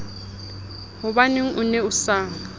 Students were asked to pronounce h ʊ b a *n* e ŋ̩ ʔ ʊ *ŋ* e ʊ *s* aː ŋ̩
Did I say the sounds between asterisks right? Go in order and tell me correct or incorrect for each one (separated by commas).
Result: correct, incorrect, correct